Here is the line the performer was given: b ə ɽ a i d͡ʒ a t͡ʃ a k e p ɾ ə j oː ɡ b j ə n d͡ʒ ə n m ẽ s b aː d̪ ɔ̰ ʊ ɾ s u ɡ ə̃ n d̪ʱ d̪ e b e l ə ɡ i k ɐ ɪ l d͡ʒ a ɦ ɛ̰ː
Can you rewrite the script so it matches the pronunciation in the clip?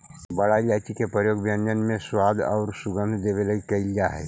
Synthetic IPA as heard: b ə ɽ a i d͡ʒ a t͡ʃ i k e p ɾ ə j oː ɡ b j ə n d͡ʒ ə n m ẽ s w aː d̪ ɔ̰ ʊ ɾ s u ɡ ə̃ n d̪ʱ d̪ e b e l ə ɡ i k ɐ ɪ l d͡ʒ a ɦ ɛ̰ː